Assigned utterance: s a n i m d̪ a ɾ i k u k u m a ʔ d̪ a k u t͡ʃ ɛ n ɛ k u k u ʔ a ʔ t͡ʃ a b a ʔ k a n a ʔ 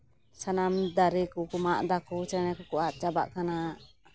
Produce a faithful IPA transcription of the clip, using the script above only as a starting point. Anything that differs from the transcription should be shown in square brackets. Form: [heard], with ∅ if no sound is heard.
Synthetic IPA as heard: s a n [a] m d̪ a ɾ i k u k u m a ʔ d̪ a k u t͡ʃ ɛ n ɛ k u k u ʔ a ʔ t͡ʃ a b a ʔ k a n a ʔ